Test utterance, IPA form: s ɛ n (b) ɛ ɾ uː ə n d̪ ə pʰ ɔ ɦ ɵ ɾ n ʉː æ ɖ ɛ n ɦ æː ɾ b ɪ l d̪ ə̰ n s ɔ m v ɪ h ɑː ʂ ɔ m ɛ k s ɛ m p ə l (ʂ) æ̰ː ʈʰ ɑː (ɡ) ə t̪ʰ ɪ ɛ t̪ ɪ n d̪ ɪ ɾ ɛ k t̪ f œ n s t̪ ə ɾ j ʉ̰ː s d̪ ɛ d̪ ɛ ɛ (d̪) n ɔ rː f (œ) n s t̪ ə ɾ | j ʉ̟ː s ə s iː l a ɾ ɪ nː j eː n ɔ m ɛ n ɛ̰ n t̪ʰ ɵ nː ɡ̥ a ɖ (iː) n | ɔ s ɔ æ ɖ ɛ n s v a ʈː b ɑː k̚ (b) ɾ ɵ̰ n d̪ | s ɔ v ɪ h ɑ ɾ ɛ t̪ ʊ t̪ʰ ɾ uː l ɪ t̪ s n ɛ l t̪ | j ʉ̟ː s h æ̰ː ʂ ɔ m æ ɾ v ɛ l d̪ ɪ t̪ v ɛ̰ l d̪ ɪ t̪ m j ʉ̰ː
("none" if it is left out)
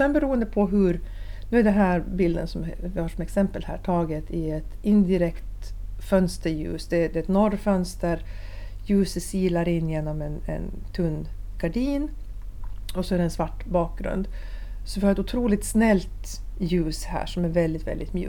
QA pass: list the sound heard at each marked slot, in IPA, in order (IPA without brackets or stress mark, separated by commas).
b, h, ɡ, t̪, œ, iː, ɡ